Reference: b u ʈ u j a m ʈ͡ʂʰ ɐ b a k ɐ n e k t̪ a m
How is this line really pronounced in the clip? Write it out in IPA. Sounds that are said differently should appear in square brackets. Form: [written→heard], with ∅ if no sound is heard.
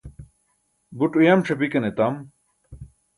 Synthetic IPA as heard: b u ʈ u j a m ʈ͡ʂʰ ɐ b [a→i] k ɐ n e [k→∅] t̪ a m